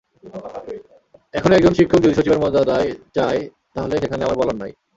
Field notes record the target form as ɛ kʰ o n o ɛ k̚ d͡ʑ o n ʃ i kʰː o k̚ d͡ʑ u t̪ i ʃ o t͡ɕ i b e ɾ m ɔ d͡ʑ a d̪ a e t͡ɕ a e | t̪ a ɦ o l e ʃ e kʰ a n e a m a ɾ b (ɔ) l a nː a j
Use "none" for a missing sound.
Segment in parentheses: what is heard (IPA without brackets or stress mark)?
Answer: ɔ